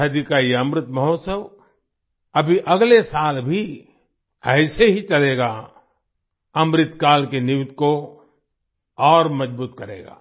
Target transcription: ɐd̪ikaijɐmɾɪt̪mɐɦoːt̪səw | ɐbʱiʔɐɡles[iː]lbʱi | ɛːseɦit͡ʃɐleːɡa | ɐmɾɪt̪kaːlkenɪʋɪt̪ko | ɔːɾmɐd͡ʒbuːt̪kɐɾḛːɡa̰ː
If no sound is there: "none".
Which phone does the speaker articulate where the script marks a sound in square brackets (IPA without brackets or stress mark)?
aː